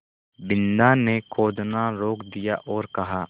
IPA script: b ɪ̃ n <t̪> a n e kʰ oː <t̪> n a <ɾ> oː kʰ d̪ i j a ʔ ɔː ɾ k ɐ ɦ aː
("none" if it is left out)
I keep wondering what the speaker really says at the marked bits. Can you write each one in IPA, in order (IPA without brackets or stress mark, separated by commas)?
d̪, d̪, ɾ